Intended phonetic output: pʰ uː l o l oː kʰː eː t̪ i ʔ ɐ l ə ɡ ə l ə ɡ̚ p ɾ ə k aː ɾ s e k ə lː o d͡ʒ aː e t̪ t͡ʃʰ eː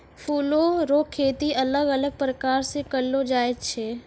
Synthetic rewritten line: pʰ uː l o ɾ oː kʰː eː t̪ i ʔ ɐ l ə ɡ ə l ə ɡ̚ p ɾ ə k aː ɾ s e k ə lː o d͡ʒ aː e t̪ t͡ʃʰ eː

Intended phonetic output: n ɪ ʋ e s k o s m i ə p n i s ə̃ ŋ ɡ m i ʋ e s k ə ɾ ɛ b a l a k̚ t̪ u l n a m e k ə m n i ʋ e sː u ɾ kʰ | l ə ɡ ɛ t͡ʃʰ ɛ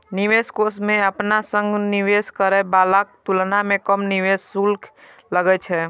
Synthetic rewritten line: n i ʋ e s k o s m e ə p n a s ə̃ ŋ ɡ n i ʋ e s k ə ɾ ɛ b a l a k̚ t̪ u l n a m e k ə m n i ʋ e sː u l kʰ | l ə ɡ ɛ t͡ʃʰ ɛ

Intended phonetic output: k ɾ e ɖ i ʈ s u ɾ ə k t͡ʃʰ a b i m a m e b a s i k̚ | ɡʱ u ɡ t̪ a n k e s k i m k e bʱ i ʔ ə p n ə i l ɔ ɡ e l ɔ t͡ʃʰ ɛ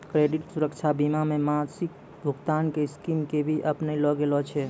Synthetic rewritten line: k ɾ e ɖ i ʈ s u ɾ ə k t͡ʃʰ a b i m a m e m a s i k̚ | bʱ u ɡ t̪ a n k e s k i m k e bʱ i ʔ ə p n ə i l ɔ ɡ e l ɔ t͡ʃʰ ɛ

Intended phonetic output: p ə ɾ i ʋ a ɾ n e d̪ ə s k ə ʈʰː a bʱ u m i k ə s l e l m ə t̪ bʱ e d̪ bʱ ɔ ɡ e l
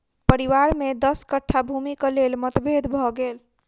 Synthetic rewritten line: p ə ɾ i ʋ a ɾ m e d̪ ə s k ə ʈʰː a bʱ u m i k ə l e l m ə t̪ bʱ e d̪ bʱ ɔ ɡ e l

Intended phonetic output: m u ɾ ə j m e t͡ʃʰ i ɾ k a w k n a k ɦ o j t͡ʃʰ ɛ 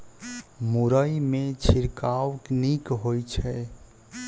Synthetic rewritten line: m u ɾ ə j m e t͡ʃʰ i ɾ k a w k n i k ɦ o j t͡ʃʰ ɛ

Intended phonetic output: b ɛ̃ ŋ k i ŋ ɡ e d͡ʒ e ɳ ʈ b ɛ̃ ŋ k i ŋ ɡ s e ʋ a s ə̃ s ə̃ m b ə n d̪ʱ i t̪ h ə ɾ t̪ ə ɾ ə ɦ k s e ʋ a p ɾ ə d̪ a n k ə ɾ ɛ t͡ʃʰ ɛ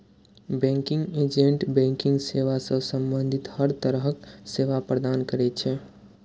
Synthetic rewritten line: b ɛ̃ ŋ k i ŋ ɡ e d͡ʒ e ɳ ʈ b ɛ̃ ŋ k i ŋ ɡ s e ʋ a s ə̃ s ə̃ m b ə n d̪ʱ i t̪ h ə ɾ t̪ ə ɾ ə ɦ k s e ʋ a p ɾ ə d̪ a n k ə ɾ ɛ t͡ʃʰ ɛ

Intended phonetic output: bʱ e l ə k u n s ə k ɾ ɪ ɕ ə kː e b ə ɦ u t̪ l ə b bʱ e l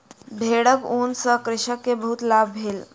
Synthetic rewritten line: bʱ e ɽ ə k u n s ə k ɾ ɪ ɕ ə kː e b ə ɦ u t̪ l a b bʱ e l

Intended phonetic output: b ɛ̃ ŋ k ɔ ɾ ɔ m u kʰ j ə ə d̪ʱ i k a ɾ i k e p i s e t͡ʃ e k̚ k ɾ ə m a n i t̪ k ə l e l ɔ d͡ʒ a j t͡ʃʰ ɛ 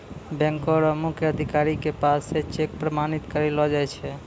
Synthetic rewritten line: b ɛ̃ ŋ k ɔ ɾ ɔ m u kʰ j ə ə d̪ʱ i k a ɾ i k e p a s e t͡ʃ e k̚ p ɾ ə m a n i t̪ k ə ɾ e l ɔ d͡ʒ a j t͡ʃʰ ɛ

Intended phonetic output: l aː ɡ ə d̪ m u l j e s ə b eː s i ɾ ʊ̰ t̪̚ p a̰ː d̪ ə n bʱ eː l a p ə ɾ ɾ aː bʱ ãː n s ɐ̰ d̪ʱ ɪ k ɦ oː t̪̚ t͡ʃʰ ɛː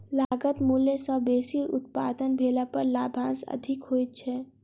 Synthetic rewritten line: l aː ɡ ə t̪ m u l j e s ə b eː s i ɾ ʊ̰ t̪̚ p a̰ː d̪ ə n bʱ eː l a p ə ɾ l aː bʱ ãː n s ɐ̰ d̪ʱ ɪ k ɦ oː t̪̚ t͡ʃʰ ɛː

